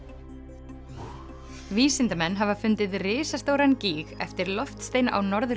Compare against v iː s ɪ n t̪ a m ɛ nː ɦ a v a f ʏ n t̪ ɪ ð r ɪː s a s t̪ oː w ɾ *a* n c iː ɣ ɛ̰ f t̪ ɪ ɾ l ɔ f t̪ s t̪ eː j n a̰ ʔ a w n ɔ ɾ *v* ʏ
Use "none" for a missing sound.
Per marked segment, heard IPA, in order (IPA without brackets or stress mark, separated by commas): a, ð